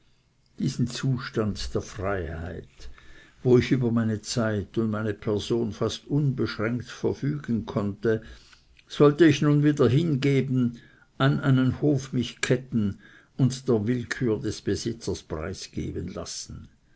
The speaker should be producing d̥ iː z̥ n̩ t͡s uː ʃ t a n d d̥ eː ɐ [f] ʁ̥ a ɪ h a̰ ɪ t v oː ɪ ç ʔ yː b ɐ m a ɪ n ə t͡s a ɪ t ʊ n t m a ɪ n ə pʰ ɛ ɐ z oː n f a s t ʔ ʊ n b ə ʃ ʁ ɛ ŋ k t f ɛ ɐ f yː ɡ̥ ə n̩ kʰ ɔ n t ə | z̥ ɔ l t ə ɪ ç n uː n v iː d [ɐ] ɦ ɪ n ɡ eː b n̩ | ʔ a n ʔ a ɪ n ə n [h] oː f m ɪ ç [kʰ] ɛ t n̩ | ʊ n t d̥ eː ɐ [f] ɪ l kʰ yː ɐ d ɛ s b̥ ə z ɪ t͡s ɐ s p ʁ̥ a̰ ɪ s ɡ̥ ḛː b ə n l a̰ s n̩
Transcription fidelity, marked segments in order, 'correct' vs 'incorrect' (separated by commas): correct, correct, correct, correct, incorrect